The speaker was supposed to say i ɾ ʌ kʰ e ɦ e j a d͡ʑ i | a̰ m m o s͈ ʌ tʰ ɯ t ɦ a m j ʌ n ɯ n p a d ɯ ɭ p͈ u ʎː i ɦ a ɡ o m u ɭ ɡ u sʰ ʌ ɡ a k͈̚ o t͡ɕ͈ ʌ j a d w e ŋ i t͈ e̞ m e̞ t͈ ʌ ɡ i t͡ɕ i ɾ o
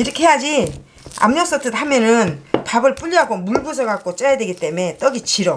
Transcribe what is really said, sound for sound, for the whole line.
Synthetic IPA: i ɾ ʌ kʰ e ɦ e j a d͡ʑ i | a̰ m ɲ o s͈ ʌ tʰ ɯ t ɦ a m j ʌ n ɯ n p a b ɯ ɭ p͈ u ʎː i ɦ a ɡ o m u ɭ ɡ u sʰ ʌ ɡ a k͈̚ o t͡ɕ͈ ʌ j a d w e ɡ i t͈ e̞ m e̞ t͈ ʌ ɡ i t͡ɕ i ɾ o